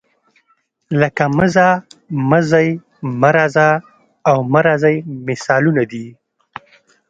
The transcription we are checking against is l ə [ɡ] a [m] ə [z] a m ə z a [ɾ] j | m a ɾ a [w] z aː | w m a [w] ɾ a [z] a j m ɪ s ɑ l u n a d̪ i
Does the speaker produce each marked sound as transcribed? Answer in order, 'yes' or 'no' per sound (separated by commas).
no, yes, yes, no, no, no, yes